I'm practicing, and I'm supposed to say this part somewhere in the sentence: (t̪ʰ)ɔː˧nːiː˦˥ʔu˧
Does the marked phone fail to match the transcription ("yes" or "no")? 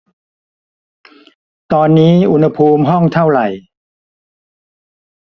yes